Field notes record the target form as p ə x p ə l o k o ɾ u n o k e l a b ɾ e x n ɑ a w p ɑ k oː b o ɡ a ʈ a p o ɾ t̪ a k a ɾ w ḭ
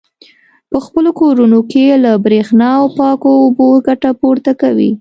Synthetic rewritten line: p ə x p ə l o k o ɾ u n o k e l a b ɾ e x n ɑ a w p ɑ k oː b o ɡ a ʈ a p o ɾ t̪ a k a w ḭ